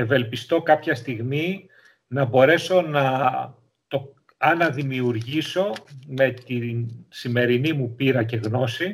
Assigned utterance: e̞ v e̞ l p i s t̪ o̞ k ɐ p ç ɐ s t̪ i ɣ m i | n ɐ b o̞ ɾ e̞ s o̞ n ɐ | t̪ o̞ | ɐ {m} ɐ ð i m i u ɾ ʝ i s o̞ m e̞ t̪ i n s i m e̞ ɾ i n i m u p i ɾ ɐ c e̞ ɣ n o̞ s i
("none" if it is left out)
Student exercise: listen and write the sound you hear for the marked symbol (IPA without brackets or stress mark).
n